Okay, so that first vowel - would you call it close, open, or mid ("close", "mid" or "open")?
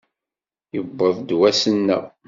mid